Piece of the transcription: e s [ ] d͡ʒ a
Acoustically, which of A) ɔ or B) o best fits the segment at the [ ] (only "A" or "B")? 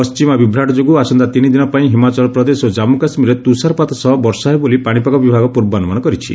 B